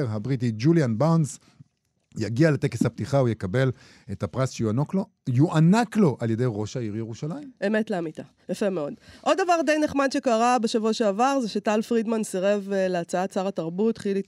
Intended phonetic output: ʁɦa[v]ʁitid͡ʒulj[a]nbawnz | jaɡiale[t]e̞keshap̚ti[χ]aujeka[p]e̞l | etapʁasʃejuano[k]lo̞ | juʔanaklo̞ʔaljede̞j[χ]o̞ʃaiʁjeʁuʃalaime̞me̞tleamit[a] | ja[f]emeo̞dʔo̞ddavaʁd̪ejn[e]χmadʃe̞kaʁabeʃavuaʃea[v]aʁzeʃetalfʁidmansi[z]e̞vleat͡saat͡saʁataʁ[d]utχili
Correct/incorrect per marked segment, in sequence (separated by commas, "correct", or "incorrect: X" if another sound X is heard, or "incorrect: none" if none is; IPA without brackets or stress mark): incorrect: b, correct, correct, correct, incorrect: b, correct, incorrect: ʁ, correct, correct, correct, correct, incorrect: ʁ, incorrect: b